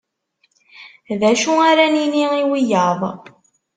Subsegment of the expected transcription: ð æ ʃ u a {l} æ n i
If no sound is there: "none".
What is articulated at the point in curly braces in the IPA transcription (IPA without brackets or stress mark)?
ɾ